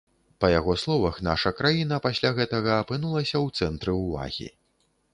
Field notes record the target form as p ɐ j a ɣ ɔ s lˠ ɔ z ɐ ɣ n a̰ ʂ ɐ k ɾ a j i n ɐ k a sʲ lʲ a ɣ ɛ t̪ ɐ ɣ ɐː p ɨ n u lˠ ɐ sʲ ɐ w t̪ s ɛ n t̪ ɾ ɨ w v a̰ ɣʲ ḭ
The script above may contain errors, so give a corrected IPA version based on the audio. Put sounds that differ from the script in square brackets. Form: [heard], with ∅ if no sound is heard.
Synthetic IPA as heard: p ɐ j a ɣ ɔ s lˠ ɔ [v] ɐ [x] n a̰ ʂ ɐ k ɾ a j i n ɐ [p] a sʲ lʲ a ɣ ɛ t̪ ɐ ɣ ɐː p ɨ n u lˠ ɐ sʲ ɐ w t̪ s ɛ n t̪ ɾ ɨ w v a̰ ɣʲ ḭ